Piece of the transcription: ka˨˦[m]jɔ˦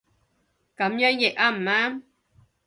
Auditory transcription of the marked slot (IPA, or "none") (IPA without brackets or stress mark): m